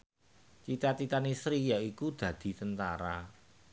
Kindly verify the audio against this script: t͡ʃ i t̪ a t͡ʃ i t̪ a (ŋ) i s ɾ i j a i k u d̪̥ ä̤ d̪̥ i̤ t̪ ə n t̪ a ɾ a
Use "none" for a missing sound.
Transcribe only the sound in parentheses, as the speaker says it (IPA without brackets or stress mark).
n